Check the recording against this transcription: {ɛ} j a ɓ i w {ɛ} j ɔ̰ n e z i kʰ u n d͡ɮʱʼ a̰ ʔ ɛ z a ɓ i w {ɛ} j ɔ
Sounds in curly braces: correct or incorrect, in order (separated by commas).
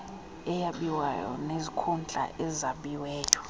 correct, incorrect, incorrect